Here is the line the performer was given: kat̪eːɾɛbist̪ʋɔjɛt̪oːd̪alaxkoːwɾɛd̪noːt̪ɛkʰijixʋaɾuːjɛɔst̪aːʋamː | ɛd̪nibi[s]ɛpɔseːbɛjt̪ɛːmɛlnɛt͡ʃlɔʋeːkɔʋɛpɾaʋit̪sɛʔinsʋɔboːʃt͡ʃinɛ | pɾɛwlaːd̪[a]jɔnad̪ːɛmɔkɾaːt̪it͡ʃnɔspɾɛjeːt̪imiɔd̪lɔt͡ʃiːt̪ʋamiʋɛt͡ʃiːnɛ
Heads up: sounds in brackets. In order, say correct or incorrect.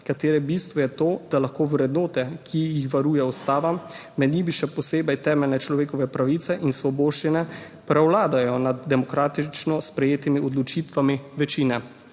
incorrect: ʃ, correct

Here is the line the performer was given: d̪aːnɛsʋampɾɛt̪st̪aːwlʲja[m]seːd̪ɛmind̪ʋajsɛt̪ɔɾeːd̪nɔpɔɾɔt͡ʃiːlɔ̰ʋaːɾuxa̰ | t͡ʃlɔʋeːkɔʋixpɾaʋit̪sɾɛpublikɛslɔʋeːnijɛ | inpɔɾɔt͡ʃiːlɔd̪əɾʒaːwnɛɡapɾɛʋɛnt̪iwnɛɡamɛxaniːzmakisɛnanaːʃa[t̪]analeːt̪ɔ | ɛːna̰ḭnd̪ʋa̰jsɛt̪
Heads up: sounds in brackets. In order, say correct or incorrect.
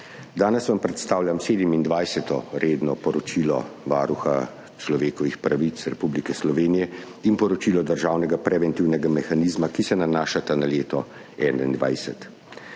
correct, correct

